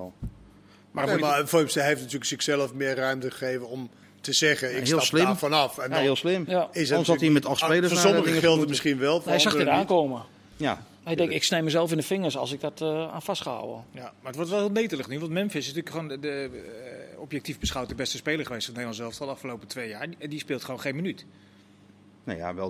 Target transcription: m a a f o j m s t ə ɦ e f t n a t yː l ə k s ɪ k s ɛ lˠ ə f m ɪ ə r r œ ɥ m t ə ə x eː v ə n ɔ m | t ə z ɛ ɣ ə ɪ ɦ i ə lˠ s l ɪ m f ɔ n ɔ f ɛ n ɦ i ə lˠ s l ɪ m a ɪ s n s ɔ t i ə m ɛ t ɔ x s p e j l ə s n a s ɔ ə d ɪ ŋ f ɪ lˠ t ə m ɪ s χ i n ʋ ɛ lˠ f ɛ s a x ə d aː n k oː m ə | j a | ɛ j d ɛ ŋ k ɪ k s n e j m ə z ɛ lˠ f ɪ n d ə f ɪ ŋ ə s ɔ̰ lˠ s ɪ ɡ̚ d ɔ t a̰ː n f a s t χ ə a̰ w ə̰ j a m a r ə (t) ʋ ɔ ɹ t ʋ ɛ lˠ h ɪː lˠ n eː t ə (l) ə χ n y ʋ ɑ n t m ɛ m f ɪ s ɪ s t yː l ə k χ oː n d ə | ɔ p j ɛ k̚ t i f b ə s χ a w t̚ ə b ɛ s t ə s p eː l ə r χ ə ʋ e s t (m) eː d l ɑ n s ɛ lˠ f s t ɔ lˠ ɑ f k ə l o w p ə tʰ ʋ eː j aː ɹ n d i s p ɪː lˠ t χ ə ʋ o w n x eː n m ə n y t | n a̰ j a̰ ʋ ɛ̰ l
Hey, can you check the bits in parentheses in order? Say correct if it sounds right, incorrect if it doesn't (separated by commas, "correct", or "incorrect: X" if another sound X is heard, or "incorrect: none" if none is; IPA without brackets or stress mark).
correct, correct, incorrect: n